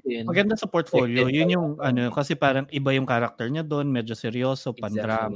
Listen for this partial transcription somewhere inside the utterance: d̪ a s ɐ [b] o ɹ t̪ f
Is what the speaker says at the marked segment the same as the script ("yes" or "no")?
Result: no